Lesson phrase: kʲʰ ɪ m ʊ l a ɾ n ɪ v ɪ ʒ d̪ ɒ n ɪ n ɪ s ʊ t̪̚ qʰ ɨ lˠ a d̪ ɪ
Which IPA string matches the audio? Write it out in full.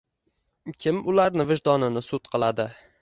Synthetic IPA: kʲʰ ɪ m ʊ l a ɾ n ɪ v ɪ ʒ d̪ ɒ n ɪ n ɪ s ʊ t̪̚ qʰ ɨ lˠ a d̪ ɪ